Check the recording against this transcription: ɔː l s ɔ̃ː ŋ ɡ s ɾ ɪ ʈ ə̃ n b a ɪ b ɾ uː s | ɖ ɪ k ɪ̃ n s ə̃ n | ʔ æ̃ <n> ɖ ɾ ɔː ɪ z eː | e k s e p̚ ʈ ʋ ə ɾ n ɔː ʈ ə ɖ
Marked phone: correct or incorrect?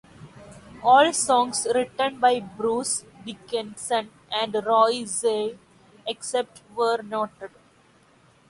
incorrect: ɳ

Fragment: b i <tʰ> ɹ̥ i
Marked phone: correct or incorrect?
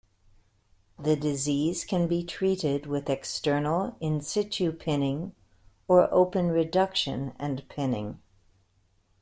correct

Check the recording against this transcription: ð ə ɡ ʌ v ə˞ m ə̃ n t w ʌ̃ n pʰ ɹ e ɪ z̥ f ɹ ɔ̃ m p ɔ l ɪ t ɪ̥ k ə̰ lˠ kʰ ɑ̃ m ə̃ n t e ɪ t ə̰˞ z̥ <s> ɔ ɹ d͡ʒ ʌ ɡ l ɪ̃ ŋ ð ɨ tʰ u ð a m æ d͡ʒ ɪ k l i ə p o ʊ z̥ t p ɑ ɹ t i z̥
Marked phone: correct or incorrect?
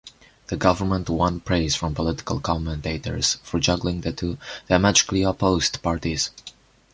incorrect: f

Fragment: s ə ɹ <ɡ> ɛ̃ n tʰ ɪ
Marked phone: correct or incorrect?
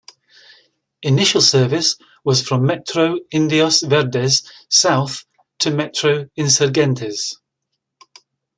correct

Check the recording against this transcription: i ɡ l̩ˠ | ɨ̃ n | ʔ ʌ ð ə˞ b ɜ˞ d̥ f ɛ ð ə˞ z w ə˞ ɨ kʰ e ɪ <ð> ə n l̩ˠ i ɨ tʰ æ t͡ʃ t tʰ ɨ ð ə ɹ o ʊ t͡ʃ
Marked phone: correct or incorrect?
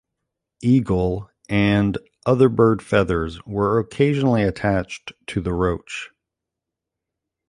incorrect: ʒ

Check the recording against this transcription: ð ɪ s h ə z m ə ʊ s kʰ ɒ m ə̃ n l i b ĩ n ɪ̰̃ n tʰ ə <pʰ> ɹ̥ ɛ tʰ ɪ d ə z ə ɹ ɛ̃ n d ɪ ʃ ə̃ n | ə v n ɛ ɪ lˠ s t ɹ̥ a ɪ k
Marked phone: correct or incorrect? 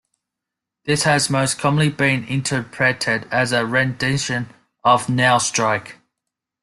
correct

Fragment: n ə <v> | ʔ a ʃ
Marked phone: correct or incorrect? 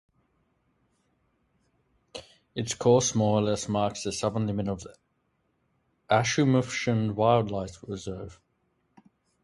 correct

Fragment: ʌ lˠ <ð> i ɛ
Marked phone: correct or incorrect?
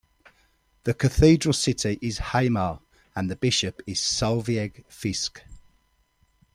incorrect: v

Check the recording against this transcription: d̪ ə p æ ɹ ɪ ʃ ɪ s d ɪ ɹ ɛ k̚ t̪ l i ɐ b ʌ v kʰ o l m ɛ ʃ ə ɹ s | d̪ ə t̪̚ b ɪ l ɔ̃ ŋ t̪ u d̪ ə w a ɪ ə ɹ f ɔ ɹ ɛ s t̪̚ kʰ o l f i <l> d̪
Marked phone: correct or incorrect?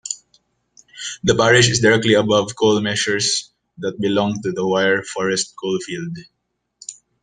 correct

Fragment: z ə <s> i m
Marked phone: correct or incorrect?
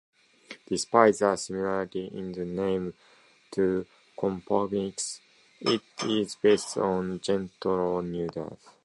correct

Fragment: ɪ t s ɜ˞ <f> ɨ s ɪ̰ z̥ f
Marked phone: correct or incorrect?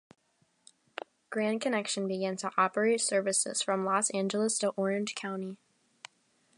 incorrect: v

